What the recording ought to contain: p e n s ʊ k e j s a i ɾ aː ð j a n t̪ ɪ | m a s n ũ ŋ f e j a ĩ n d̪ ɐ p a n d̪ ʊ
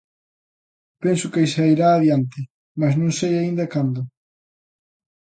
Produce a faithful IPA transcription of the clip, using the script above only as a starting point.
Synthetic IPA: p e n s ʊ k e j s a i ɾ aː ð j a n t̪ ɪ | m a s n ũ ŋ s e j a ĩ n d̪ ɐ k a n d̪ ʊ